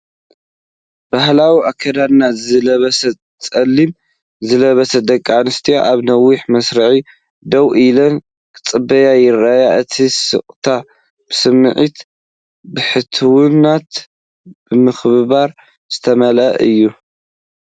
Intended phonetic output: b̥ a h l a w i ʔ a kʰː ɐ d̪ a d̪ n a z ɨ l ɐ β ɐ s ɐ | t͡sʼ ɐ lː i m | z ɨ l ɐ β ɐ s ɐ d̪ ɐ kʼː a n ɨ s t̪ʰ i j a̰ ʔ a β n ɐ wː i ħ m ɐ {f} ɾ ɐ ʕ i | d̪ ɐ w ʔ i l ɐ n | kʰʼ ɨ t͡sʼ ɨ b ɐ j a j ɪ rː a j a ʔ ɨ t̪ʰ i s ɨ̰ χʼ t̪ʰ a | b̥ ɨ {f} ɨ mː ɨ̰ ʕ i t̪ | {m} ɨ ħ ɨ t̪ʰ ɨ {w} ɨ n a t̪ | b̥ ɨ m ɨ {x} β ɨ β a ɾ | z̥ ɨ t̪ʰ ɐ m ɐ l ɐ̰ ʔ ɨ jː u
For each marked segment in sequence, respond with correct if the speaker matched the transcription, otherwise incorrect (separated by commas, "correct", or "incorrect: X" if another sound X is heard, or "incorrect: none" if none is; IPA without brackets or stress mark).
incorrect: s, incorrect: s, incorrect: b, correct, correct